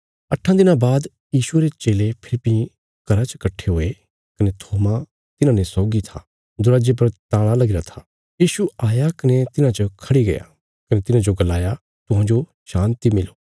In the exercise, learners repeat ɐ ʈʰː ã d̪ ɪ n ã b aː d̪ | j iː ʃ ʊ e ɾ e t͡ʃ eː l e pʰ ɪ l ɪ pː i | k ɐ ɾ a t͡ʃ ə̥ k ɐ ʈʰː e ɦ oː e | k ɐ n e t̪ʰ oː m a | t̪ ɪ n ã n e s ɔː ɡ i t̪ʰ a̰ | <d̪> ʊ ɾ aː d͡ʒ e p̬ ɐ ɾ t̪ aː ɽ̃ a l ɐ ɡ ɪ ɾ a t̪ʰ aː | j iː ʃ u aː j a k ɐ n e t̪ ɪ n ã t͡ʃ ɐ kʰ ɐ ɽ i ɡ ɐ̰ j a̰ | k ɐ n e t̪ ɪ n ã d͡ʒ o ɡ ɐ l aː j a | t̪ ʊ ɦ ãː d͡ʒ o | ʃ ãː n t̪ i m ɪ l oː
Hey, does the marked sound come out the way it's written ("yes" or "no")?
yes